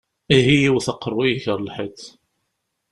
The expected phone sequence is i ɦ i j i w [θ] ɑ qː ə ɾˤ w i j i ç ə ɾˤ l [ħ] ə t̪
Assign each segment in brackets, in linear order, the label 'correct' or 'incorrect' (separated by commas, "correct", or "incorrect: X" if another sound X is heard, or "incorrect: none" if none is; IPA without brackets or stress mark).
correct, correct